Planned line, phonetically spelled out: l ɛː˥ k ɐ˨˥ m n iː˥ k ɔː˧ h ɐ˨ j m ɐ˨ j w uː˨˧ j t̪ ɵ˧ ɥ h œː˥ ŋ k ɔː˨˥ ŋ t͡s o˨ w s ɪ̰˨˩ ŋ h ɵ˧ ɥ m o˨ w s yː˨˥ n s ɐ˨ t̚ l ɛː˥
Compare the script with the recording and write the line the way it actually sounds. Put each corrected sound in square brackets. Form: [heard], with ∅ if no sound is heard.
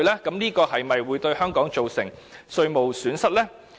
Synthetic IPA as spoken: l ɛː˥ k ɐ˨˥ m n iː˥ k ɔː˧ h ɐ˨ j m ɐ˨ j w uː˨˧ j t̪ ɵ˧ ɥ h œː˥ ŋ k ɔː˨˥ ŋ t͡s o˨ w s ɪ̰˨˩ ŋ [s] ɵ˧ ɥ m o˨ w s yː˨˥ n s [ɐ˥] t̚ l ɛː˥